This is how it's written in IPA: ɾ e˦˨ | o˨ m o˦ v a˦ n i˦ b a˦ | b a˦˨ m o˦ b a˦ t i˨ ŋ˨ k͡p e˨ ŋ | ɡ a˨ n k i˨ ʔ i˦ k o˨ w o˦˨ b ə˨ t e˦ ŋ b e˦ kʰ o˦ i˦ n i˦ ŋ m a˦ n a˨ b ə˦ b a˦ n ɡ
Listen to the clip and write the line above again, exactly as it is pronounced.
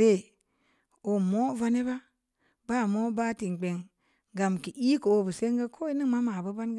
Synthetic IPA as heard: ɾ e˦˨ | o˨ m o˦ v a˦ n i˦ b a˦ | b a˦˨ m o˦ b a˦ t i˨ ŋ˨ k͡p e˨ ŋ | ɡ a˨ m k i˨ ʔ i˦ k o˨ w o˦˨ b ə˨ s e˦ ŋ ɡ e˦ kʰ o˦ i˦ n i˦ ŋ m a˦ m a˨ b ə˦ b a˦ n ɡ